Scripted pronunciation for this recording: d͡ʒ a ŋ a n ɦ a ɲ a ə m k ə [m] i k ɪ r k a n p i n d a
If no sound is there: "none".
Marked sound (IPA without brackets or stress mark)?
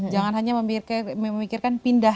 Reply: m